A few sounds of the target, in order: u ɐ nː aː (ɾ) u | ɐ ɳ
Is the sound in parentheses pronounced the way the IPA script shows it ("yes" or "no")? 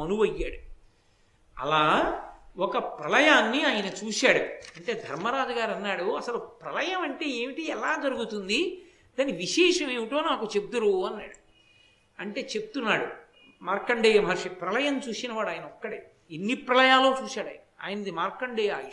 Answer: no